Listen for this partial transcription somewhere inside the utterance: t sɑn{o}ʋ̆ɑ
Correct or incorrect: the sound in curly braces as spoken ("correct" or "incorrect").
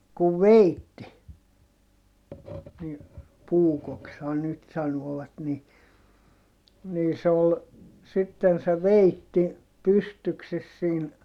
incorrect